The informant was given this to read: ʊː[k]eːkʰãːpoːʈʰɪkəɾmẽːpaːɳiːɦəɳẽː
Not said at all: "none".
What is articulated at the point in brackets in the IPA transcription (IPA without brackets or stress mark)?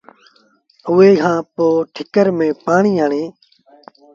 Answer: none